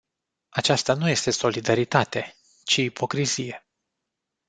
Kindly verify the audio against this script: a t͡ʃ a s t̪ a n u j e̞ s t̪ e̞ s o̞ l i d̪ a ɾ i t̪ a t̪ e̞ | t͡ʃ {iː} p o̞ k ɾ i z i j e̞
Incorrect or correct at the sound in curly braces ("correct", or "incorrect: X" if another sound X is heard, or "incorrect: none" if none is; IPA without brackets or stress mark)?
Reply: correct